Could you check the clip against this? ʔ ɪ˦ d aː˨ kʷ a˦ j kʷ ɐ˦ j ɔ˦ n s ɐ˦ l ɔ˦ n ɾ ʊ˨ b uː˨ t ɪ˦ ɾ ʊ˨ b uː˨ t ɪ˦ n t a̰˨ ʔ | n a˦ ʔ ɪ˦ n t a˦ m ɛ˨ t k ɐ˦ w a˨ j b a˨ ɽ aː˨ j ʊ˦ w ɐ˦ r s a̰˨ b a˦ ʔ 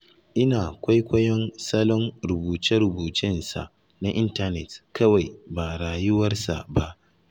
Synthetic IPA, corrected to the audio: ʔ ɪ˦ n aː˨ kʷ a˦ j kʷ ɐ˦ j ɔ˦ n s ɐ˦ l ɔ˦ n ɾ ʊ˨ b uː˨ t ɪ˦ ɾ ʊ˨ b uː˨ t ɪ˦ n s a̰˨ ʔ | n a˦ ʔ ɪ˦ n t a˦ n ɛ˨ t k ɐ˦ w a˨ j b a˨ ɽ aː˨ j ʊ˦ w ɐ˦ r s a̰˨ b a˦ ʔ